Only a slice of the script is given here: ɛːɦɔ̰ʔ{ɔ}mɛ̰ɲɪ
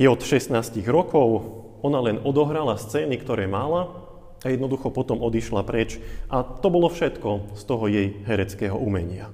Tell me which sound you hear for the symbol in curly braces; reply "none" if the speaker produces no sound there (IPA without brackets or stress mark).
u